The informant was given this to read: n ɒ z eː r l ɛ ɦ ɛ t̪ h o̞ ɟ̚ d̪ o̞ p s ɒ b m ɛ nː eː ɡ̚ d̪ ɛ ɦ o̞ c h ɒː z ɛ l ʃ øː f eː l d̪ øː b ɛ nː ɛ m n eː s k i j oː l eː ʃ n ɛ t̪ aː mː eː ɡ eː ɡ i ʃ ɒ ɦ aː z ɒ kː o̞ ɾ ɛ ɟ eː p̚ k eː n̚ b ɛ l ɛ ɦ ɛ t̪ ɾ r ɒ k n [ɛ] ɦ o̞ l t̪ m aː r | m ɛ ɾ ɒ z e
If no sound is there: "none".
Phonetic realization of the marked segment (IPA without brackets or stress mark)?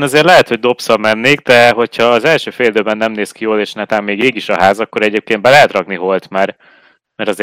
i